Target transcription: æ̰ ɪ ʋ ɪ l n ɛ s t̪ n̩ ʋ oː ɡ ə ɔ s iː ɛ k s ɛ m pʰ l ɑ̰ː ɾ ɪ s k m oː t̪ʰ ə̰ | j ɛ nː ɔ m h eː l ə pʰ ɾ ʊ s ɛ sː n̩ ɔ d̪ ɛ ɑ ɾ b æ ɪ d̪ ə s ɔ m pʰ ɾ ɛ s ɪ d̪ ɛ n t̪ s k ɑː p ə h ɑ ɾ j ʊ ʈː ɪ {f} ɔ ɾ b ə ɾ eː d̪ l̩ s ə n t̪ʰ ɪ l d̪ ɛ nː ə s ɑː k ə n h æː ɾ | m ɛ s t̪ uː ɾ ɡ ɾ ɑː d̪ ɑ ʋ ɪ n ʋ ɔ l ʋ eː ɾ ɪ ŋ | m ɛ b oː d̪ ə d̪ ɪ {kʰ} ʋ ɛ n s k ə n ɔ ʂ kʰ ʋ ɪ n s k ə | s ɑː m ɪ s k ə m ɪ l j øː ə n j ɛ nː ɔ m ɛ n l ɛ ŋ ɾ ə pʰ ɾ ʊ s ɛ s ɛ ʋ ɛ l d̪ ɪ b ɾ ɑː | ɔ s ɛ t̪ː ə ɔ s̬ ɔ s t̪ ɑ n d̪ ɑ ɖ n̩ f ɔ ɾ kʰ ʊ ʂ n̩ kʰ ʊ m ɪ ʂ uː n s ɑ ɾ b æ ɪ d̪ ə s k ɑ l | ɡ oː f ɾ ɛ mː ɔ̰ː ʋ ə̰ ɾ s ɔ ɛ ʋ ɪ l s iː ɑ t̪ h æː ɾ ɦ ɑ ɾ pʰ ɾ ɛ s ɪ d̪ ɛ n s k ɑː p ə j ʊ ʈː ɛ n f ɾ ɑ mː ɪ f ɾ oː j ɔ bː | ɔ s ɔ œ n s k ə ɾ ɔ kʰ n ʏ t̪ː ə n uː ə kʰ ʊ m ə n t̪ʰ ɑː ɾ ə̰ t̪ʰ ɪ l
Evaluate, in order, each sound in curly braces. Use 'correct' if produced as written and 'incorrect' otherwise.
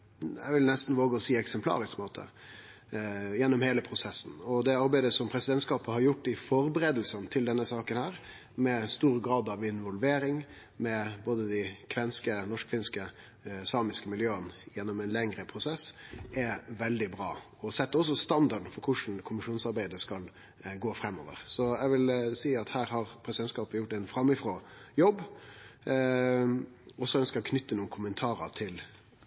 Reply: correct, correct

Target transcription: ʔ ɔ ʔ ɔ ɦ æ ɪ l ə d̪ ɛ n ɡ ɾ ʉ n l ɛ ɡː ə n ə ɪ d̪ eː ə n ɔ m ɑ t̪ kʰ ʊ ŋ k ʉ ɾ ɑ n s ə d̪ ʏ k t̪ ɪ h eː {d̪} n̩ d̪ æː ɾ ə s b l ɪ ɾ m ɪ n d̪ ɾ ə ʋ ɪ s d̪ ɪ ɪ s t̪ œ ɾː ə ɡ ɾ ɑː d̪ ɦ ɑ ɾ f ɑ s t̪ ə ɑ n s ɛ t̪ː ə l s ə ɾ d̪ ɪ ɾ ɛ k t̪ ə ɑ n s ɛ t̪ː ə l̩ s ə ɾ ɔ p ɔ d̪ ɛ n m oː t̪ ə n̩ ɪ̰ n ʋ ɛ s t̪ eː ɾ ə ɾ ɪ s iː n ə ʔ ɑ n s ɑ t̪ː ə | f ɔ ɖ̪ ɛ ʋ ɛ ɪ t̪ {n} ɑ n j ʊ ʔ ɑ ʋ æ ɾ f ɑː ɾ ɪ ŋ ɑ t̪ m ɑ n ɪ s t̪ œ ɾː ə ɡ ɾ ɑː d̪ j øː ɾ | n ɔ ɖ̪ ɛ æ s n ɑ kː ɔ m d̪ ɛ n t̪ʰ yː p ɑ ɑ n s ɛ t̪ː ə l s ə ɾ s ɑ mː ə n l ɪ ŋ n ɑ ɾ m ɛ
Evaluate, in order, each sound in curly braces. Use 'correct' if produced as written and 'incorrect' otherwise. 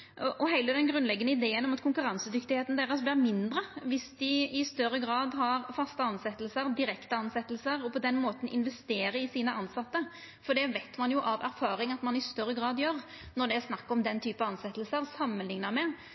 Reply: incorrect, incorrect

